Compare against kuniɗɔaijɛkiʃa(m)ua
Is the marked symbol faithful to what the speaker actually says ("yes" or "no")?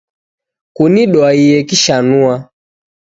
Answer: no